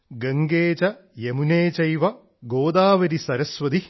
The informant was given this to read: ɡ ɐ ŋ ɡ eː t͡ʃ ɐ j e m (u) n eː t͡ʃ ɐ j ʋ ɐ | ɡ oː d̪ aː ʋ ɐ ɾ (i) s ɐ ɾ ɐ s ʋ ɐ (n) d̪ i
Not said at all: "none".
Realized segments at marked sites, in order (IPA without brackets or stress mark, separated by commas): u, i, none